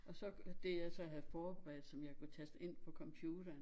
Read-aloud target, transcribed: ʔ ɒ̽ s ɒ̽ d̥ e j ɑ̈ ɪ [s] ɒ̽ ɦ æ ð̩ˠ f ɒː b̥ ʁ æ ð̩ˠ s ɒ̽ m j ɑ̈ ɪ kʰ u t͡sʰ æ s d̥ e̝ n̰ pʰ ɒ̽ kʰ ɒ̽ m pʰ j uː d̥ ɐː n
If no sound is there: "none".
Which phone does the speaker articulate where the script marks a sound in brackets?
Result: s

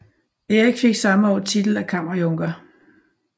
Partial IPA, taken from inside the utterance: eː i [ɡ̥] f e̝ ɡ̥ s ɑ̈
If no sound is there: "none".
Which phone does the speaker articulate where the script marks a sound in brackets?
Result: ɡ̥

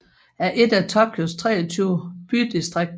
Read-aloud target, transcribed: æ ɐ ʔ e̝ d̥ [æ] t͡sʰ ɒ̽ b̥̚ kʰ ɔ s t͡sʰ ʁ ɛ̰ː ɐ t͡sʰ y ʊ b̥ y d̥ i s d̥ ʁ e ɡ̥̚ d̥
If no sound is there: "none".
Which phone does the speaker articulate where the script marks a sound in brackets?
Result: æ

